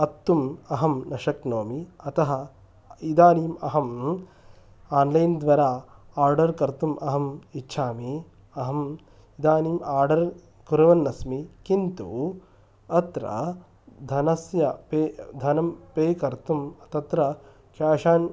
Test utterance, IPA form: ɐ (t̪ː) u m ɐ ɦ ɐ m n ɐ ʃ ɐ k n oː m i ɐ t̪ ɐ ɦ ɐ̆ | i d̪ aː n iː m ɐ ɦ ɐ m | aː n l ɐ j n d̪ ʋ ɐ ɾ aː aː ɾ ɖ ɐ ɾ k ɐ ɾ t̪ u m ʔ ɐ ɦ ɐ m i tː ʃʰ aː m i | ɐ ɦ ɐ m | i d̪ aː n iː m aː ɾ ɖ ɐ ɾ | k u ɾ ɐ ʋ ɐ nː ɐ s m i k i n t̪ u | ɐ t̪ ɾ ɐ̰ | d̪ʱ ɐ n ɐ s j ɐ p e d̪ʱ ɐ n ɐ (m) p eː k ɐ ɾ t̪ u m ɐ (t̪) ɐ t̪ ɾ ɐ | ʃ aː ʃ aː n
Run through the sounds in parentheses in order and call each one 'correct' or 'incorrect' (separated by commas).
correct, correct, correct